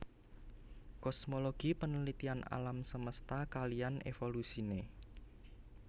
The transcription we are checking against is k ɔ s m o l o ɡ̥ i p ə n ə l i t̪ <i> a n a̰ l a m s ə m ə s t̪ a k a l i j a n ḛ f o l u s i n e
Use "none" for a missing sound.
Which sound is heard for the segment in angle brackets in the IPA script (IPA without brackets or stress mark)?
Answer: i